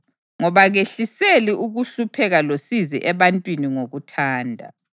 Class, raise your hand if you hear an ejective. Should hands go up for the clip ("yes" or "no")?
yes